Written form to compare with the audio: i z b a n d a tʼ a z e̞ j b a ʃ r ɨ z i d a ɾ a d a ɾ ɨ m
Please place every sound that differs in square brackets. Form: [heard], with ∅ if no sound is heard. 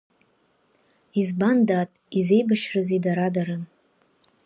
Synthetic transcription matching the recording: i z b a n d a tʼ [i] z e̞ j b a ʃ r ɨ z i d a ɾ a d a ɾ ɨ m